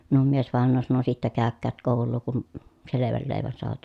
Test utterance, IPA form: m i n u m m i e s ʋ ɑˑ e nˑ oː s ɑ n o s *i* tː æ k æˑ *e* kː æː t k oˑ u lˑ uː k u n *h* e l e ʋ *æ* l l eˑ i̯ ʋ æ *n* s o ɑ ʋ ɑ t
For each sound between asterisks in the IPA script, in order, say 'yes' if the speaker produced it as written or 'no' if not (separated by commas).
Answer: yes, no, no, yes, yes